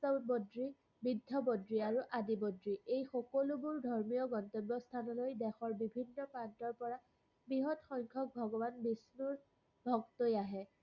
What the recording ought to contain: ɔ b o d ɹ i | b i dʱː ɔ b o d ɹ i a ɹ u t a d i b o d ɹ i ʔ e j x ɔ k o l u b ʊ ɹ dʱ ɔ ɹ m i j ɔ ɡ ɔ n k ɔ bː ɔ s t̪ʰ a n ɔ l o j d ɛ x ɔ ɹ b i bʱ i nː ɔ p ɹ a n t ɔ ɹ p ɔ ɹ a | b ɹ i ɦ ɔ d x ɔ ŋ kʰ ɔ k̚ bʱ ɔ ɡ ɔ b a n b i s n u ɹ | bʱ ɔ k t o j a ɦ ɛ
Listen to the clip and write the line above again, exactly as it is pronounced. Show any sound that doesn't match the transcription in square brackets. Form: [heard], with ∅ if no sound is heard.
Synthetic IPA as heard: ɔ b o d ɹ i | b i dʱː ɔ b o d ɹ i a ɹ u [ʔ] a d i b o d ɹ i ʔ e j x ɔ k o l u b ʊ ɹ dʱ ɔ ɹ m i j ɔ ɡ ɔ n [t] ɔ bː ɔ s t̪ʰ a n ɔ l o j d ɛ x ɔ ɹ b i bʱ i nː ɔ p ɹ a n t ɔ ɹ p ɔ ɹ a | b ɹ i ɦ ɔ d x ɔ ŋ kʰ ɔ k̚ bʱ ɔ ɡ ɔ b a n b i s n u ɹ | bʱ ɔ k t o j a ɦ ɛ